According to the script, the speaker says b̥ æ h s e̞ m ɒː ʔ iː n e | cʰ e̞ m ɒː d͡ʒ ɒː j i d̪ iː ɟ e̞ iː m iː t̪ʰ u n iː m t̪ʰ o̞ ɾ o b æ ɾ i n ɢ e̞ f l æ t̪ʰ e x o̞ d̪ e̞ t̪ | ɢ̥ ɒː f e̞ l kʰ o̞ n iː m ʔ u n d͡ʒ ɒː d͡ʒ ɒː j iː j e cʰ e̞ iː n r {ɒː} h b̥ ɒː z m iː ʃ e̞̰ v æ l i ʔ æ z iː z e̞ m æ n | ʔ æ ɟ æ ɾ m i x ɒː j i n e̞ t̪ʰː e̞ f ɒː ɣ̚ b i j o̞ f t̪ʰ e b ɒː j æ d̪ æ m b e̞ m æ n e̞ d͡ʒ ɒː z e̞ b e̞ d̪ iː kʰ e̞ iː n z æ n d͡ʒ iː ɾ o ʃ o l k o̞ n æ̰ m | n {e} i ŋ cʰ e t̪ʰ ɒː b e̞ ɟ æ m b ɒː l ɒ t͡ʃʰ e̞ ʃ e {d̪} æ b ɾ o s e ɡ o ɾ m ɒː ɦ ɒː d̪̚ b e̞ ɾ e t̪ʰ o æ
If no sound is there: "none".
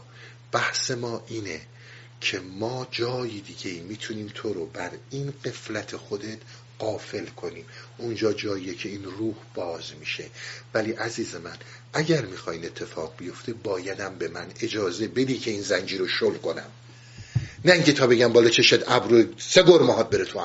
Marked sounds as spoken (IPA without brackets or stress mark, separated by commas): uː, æ, d̪